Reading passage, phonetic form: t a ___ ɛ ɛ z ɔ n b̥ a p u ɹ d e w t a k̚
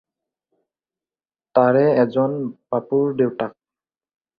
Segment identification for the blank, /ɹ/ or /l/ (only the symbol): ɹ